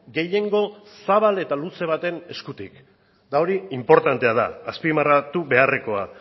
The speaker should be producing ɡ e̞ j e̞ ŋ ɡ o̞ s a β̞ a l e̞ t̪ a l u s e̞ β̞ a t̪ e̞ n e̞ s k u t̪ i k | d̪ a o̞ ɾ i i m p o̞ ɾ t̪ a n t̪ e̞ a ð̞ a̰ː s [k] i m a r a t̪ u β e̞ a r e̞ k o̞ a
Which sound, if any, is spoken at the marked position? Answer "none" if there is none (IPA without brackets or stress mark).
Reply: p